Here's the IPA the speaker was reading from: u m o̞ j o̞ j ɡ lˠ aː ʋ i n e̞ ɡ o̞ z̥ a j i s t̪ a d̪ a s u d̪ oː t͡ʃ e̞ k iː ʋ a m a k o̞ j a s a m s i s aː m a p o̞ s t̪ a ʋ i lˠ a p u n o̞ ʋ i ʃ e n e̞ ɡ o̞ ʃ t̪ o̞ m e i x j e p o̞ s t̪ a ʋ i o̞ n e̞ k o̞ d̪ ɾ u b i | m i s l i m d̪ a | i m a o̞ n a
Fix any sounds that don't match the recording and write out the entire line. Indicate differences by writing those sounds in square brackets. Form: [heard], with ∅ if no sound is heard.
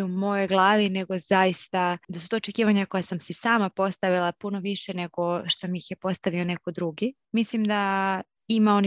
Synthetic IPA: u m o̞ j o̞ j ɡ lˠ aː ʋ i n e̞ ɡ o̞ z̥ a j i s t̪ a d̪ a s u [t̪] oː t͡ʃ e̞ k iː ʋ a [ɲ] a k o̞ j a s a m s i s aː m a p o̞ s t̪ a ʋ i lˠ a p u n o̞ ʋ i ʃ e n e̞ ɡ o̞ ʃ t̪ o̞ m [i] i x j e p o̞ s t̪ a ʋ i o̞ n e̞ k o̞ d̪ ɾ u [ɡ] i | m i s l i m d̪ a | i m a o̞ n [i]